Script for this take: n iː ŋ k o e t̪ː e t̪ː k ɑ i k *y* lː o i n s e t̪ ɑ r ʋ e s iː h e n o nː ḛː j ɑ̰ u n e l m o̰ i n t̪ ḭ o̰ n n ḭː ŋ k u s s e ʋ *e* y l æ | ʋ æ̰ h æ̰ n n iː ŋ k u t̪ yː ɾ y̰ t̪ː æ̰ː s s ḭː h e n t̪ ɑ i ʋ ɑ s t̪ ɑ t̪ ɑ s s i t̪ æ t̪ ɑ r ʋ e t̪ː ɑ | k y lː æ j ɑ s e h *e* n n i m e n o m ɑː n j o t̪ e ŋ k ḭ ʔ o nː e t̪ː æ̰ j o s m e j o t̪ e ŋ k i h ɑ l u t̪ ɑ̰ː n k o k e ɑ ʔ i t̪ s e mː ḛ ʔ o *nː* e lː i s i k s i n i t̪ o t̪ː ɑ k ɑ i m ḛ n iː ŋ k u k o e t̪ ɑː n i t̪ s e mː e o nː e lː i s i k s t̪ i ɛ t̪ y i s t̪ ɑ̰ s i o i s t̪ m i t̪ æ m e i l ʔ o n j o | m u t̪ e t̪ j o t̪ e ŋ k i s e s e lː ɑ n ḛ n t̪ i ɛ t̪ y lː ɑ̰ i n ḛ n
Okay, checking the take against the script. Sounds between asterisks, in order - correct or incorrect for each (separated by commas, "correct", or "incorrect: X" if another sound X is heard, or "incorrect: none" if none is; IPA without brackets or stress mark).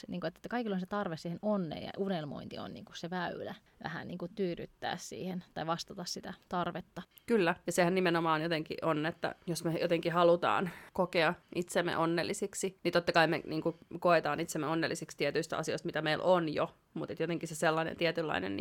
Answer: incorrect: i, incorrect: æ, incorrect: æ, correct